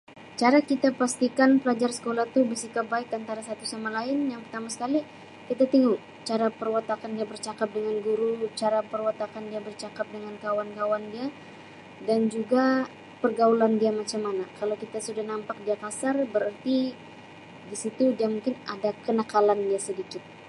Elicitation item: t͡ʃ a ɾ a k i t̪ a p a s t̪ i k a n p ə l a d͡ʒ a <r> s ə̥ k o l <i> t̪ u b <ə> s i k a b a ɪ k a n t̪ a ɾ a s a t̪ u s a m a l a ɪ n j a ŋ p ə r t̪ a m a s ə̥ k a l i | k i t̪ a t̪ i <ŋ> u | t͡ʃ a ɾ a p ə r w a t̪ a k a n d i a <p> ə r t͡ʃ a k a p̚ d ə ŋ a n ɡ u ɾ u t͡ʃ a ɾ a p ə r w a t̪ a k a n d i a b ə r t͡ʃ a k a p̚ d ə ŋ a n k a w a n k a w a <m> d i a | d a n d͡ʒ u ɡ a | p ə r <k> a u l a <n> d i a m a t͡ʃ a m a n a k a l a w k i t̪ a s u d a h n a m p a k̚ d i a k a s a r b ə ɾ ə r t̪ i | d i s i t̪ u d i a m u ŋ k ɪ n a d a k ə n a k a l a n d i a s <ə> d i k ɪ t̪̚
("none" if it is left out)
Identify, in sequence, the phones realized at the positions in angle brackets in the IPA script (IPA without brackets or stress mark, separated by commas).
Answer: r, a, ə, ŋ, b, n, ɡ, n, ə